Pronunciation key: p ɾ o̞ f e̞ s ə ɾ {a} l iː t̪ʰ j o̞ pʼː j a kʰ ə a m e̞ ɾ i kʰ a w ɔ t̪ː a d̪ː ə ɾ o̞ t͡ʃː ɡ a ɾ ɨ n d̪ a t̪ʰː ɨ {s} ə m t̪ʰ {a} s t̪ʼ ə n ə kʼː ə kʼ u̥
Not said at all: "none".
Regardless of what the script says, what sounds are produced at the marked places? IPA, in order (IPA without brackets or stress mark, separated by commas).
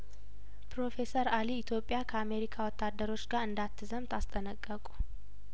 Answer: a, z, a